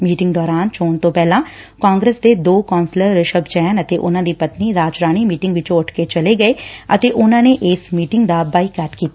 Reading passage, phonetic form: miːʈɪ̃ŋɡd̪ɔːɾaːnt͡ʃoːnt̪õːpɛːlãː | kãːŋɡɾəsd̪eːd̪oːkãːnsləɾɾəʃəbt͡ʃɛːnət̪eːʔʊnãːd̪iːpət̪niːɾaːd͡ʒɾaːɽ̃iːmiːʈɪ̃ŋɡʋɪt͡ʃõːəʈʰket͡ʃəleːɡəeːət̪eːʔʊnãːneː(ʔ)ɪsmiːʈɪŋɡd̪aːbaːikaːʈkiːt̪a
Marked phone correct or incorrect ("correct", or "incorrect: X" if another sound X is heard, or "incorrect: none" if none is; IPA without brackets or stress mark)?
correct